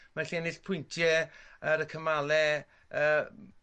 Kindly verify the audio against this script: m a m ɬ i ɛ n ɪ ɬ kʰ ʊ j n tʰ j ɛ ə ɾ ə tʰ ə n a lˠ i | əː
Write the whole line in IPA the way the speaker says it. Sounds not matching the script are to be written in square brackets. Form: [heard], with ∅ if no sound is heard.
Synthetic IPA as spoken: m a [∅] ɬ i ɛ n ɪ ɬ [pʰ] ʊ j n tʰ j ɛ ə ɾ ə [kʰ] ə [m] a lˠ [ɛ] | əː